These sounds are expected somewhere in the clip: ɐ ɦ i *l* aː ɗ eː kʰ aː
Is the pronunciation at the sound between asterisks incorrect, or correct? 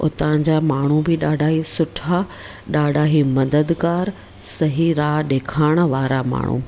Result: incorrect